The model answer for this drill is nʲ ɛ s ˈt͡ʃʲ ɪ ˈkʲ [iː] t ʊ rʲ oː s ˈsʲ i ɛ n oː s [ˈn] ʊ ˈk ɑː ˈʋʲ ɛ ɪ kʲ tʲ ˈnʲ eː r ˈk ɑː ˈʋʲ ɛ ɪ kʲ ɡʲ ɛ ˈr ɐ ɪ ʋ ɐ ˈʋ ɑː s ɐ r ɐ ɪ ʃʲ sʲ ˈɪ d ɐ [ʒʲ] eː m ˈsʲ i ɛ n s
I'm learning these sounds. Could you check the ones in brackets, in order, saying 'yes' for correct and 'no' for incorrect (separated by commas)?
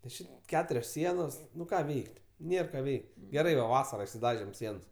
no, yes, yes